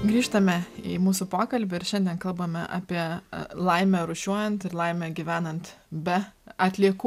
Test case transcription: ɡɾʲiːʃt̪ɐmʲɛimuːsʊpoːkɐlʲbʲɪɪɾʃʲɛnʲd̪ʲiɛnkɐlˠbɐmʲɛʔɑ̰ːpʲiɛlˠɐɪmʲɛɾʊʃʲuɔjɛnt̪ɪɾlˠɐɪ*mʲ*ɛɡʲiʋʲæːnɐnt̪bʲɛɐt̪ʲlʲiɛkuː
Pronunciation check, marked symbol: correct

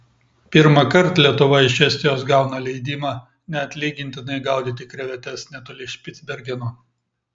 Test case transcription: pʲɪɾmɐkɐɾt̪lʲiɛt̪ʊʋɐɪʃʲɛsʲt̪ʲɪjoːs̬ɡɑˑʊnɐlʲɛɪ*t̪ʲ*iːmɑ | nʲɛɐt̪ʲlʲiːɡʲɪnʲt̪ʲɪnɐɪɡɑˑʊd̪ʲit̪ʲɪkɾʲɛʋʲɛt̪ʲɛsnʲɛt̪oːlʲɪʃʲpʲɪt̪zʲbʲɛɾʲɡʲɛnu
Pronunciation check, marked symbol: incorrect: d̪ʲ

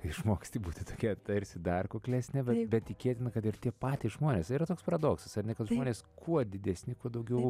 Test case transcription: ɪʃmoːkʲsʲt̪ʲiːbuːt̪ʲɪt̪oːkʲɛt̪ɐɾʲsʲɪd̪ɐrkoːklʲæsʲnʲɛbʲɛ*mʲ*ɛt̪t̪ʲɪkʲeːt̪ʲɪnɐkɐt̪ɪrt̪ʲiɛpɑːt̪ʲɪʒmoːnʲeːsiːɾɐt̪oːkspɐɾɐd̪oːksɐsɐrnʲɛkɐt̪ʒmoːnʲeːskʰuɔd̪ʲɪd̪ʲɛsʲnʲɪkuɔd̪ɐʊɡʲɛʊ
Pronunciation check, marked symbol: incorrect: bʲ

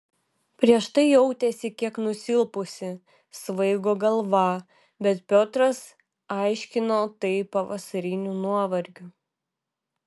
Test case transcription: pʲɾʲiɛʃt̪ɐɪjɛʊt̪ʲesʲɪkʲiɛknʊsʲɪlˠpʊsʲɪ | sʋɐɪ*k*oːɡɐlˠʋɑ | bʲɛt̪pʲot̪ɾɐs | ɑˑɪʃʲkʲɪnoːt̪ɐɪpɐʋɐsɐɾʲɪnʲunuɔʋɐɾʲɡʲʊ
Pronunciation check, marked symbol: incorrect: ɡ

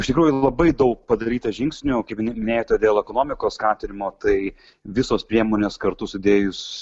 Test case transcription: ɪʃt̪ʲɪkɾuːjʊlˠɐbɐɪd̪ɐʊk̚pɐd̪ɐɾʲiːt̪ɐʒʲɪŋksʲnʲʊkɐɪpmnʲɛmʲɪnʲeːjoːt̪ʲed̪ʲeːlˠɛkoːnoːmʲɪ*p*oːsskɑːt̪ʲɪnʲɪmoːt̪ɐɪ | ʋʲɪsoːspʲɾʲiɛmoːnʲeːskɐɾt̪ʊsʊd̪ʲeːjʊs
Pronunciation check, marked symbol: incorrect: k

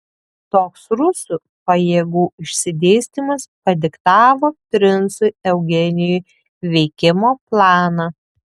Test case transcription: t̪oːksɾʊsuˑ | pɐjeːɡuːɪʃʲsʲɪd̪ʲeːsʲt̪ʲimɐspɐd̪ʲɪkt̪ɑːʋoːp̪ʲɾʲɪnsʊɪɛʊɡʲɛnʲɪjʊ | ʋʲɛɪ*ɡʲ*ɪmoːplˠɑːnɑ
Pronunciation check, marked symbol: incorrect: kʲ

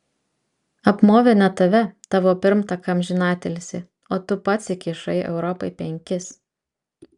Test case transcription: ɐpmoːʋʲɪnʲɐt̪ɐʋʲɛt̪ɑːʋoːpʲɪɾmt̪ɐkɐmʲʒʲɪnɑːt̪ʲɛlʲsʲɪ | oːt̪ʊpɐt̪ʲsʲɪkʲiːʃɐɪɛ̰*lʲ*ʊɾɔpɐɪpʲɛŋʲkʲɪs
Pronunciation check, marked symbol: incorrect: none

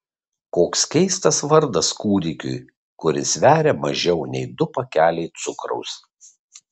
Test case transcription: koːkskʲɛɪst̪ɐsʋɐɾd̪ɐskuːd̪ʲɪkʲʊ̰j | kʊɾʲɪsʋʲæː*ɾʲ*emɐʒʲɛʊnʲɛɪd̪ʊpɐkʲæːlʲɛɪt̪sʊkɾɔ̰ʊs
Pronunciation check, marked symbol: correct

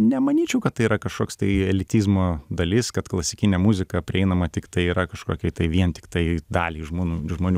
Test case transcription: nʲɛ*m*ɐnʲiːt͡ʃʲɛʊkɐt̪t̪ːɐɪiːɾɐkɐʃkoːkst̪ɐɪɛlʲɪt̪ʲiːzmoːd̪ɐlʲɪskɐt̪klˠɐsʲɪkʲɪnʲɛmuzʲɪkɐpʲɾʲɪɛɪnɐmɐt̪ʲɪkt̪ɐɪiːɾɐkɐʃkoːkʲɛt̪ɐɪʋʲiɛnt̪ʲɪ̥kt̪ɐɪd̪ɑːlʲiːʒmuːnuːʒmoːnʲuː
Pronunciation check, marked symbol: correct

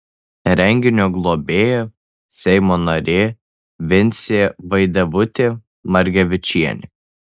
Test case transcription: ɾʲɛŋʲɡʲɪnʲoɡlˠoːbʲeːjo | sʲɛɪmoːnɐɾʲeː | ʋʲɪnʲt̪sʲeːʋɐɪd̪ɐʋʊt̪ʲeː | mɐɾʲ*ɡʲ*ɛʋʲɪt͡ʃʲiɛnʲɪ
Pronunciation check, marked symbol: correct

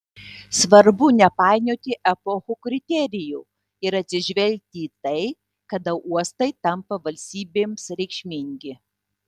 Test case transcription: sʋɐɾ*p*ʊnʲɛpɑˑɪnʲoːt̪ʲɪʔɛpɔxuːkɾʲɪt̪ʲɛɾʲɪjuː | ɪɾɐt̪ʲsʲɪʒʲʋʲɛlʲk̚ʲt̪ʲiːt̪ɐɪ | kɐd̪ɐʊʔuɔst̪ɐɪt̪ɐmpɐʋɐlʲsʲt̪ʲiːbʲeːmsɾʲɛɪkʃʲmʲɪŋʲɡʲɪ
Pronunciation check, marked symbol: incorrect: b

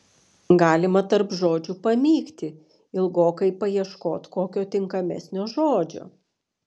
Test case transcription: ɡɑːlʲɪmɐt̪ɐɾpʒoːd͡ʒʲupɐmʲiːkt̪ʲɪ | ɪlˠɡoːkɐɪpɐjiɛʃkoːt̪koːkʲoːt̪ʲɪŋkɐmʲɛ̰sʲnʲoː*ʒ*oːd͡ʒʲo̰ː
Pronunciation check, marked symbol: correct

